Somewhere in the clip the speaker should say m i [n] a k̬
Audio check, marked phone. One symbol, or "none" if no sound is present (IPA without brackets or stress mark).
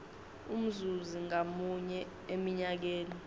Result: ɲ